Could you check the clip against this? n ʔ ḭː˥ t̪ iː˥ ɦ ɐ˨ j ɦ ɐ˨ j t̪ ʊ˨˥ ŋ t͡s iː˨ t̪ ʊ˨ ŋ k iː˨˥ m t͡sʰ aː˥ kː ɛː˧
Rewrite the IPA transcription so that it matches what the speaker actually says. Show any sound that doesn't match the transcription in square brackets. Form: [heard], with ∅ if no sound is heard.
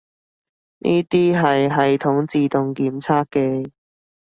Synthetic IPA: n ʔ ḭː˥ t̪ iː˥ ɦ ɐ˨ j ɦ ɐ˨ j [t̪ʰ] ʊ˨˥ ŋ t͡s iː˨ t̪ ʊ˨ ŋ k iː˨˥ m t͡sʰ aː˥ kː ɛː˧